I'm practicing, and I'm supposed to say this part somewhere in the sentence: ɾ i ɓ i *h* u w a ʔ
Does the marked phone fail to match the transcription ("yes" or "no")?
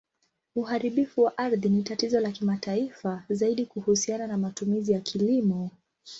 yes